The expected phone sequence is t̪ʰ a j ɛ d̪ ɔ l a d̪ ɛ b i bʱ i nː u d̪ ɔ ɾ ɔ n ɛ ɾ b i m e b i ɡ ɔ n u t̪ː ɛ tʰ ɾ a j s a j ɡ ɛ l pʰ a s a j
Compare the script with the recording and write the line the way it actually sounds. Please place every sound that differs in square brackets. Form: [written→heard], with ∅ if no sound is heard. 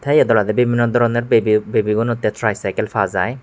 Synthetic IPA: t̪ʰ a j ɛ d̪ ɔ l a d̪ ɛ b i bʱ i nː [u→ɔ] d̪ ɔ ɾ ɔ n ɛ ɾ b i [m→b] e b i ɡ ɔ n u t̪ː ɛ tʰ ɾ a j s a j [ɡ→k] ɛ l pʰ a [s→z] a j